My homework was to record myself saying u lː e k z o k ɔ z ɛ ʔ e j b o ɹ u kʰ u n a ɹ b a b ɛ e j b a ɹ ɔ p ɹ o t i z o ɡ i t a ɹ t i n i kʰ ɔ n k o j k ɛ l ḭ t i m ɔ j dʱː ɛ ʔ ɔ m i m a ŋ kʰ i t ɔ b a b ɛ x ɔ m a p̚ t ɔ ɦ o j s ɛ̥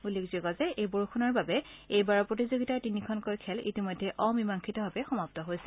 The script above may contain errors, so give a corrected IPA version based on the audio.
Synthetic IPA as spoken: u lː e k z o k ɔ z ɛ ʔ e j b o ɹ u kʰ u n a ɹ b a b ɛ e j b a ɹ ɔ p ɹ o t i z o ɡ i t a ɹ t i n i kʰ ɔ n k o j kʰ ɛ l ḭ t i m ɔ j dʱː ɛ ʔ ɔ m i m a ŋ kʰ i t ɔ b a b ɛ x ɔ m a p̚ t ɔ ɦ o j s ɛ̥